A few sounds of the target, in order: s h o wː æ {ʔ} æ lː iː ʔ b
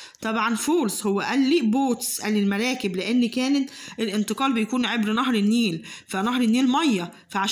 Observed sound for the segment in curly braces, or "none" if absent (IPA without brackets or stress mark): ʔ